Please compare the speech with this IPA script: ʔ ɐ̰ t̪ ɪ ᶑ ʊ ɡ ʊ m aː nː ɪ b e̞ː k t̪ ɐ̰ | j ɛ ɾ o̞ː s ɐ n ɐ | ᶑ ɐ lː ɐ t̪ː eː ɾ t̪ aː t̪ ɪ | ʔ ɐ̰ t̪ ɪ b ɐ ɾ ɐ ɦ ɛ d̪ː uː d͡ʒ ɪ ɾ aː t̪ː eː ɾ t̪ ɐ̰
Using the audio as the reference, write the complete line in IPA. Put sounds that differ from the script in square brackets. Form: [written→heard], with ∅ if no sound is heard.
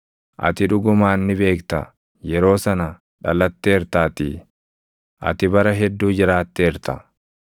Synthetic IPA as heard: ʔ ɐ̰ t̪ ɪ ᶑ ʊ ɡ ʊ m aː nː ɪ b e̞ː k t̪ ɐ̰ | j ɛ ɾ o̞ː s ɐ n ɐ | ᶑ ɐ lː ɐ t̪ː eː ɾ t̪ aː t̪ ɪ | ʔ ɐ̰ t̪ ɪ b ɐ ɾ ɐ ɦ ɛ d̪ː uː d͡ʒ ɪ ɾ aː t̪ː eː ɾ t̪ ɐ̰